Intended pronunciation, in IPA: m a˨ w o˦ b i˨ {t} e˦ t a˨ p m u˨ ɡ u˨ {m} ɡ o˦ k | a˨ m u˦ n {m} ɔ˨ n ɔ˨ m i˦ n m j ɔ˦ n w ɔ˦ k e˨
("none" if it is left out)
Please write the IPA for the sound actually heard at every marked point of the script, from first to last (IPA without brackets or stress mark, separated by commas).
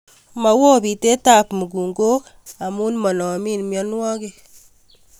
t, ŋ, m